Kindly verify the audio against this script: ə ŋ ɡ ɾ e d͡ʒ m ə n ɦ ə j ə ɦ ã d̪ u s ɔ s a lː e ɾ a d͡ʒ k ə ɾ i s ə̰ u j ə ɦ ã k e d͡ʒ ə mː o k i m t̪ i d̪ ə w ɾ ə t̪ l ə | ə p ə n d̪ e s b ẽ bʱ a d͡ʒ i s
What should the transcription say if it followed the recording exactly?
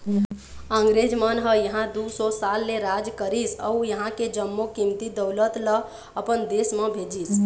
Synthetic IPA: ə ŋ ɡ ɾ e d͡ʒ m ə n ɦ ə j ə ɦ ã d̪ u s ɔ s a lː e ɾ a d͡ʒ k ə ɾ i s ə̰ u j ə ɦ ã k e d͡ʒ ə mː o k i m t̪ i d̪ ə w l ə t̪ l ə | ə p ə n d̪ e s m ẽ bʱ e d͡ʒ i s